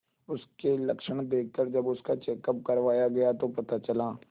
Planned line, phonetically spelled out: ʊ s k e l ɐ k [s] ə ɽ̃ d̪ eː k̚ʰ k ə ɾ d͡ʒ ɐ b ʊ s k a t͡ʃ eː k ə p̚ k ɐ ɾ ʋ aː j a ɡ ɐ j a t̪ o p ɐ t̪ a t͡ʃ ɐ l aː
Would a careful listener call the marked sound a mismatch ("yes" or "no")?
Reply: yes